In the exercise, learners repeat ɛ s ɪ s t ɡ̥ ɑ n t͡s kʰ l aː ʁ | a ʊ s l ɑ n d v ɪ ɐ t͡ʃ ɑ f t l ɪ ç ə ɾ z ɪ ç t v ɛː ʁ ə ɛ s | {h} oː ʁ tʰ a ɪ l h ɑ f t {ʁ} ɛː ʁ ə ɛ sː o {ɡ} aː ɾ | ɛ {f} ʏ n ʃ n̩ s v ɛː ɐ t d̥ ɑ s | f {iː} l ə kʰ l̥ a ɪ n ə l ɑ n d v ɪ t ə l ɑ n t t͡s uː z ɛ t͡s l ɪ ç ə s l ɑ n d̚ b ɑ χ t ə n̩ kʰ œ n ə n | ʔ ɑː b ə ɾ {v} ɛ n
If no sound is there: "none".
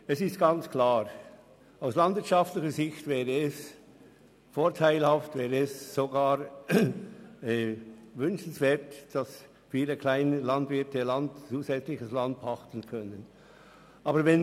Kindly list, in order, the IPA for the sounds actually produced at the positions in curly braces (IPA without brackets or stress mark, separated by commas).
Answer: f, v, ɡ, v, iː, v